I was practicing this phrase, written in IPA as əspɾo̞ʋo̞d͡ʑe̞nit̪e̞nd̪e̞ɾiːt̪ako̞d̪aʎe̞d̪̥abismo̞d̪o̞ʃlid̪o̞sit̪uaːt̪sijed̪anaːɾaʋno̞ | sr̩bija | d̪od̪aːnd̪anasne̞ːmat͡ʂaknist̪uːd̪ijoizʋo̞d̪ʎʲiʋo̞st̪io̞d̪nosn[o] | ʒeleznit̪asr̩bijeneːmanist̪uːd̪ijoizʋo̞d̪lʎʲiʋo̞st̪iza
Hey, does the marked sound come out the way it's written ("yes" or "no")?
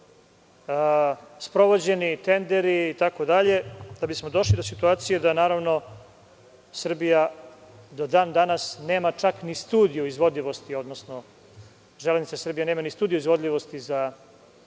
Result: yes